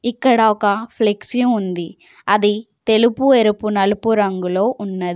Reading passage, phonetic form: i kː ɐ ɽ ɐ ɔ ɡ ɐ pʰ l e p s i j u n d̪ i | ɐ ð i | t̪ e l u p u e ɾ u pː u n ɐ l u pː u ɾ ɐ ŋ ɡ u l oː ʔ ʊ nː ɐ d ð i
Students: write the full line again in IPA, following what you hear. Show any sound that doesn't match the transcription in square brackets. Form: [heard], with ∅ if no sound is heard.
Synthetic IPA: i kː ɐ ɽ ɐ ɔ [k] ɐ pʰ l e [k] s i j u n d̪ i | ɐ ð i | t̪ e l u p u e ɾ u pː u n ɐ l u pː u ɾ ɐ ŋ ɡ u l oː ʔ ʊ nː ɐ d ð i